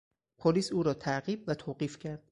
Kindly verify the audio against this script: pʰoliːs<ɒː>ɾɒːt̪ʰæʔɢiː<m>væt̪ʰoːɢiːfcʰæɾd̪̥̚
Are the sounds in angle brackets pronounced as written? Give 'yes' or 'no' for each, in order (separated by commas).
no, no